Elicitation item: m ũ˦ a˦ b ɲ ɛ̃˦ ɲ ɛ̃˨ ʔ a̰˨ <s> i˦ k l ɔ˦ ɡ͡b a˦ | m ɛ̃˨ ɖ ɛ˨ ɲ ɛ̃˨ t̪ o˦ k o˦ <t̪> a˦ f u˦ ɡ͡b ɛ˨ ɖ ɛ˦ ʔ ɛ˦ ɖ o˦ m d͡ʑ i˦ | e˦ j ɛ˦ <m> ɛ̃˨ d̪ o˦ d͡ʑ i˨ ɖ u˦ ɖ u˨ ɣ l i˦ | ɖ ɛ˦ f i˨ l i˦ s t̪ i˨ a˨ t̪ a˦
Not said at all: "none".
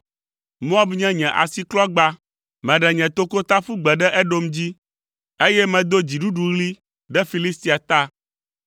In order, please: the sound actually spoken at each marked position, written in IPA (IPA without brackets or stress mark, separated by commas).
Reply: s, t̪, m